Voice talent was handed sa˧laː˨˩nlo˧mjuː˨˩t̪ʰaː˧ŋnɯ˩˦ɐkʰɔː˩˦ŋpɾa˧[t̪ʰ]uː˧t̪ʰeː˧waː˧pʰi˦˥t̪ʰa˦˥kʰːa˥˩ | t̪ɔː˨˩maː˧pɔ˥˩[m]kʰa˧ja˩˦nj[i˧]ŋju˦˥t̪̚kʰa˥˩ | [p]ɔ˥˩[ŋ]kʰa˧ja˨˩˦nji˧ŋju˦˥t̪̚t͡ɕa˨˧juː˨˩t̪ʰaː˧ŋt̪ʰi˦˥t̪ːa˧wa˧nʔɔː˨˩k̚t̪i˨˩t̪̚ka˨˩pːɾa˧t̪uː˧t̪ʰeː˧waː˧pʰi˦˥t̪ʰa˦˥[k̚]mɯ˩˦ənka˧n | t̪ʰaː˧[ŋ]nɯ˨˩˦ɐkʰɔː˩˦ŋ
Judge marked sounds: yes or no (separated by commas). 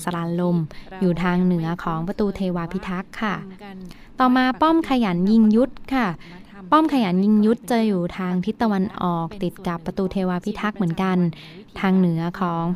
no, yes, yes, yes, no, yes, yes